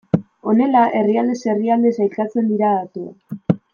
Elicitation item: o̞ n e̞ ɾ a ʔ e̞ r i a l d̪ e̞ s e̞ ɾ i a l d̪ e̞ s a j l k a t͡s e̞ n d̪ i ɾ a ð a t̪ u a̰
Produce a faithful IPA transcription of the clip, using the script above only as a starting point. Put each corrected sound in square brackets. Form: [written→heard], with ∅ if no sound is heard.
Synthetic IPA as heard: o̞ n e̞ [ɾ→l] a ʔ e̞ r i a l d̪ e̞ s e̞ [ɾ→r] i a l d̪ e̞ s a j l k a t͡s e̞ n d̪ i ɾ a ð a t̪ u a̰